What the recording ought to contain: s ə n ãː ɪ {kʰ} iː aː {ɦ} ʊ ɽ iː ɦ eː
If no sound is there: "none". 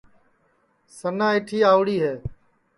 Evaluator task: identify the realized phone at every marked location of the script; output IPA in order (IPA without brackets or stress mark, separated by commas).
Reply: ʈʰ, none